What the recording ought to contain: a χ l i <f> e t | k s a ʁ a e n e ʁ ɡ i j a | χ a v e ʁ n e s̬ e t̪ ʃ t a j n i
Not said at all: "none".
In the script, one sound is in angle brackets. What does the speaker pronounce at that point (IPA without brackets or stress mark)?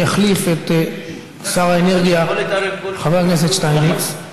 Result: f